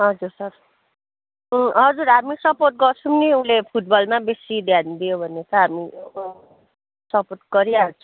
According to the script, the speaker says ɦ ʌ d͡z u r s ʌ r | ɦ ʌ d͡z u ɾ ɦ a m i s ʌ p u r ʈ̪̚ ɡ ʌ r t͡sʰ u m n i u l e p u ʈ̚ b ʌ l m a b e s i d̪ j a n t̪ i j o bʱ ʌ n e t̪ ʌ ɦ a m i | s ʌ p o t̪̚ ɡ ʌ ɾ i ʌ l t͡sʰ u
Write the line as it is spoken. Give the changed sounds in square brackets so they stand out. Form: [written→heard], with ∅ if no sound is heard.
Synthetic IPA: ɦ ʌ d͡z u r s ʌ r | ɦ ʌ d͡z u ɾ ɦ a m i s ʌ p [u→o] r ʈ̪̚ ɡ ʌ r t͡sʰ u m n i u l e [p→pʰ] u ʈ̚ b ʌ l m a b e s i d̪ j a n [t̪→d̪] i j o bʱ ʌ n e t̪ ʌ ɦ a m i | s ʌ p o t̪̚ ɡ ʌ ɾ i [ʌ→a] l t͡sʰ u